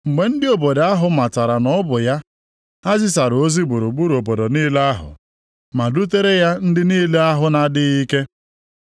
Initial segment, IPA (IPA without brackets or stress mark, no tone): ŋ͡m̩